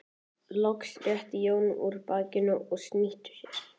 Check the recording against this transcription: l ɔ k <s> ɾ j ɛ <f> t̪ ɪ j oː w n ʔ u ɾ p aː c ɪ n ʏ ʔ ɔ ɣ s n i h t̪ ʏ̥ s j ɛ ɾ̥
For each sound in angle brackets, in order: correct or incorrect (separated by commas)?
correct, incorrect